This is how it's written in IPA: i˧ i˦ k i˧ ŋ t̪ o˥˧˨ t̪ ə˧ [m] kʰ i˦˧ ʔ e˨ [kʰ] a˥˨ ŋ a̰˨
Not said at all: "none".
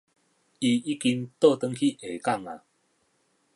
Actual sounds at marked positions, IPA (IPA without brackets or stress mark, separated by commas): ŋ, k